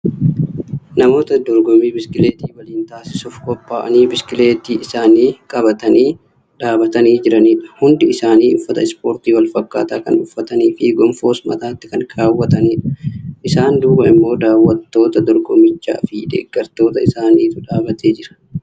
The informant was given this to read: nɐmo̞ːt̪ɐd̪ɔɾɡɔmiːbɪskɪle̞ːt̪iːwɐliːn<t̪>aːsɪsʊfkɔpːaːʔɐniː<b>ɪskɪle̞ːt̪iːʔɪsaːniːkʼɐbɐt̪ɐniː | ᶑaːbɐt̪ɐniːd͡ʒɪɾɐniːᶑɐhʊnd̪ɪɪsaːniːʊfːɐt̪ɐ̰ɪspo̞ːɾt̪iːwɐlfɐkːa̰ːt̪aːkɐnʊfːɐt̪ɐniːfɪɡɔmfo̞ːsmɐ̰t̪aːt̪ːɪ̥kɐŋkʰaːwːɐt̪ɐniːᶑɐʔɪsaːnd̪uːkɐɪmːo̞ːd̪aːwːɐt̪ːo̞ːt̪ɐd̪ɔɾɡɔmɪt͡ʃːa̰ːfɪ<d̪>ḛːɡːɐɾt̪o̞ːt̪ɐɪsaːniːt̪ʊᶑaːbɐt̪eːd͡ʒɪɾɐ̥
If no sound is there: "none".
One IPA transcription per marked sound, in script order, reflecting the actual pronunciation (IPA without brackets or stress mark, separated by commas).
t̪, b, d̪